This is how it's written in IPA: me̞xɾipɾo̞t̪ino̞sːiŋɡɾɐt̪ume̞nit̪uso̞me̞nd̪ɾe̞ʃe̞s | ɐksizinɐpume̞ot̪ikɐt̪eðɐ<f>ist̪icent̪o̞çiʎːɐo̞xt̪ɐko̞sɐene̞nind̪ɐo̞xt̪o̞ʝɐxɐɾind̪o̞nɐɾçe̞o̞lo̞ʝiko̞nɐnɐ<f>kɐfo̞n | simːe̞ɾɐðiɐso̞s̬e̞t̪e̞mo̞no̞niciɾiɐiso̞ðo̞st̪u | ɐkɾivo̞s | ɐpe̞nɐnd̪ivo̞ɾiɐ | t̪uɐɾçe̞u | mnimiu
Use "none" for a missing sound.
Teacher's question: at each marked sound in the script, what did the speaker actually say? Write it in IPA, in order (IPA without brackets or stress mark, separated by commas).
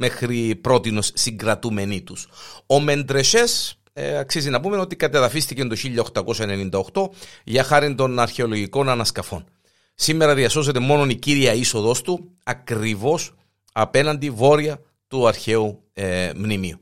f, s